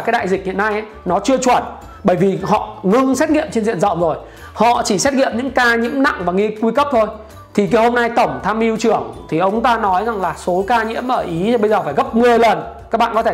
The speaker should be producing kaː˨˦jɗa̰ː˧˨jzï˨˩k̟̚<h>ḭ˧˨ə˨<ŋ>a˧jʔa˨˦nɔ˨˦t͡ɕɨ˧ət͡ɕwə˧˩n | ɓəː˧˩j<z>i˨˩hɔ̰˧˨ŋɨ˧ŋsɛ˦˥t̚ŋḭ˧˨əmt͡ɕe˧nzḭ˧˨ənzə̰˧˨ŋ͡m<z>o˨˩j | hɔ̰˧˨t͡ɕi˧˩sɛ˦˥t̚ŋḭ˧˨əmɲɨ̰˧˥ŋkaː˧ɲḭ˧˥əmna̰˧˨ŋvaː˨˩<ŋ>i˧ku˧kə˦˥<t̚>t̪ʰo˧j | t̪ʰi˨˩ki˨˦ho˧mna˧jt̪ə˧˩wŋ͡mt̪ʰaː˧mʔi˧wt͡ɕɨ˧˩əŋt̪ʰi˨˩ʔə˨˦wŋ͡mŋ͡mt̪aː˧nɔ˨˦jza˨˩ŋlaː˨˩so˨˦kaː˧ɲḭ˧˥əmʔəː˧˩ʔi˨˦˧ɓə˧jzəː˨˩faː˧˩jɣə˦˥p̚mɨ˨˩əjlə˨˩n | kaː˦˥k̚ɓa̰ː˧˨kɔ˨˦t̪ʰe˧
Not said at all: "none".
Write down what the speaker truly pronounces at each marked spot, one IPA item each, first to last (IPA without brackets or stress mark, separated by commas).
h, n, v, z, ŋ, p̚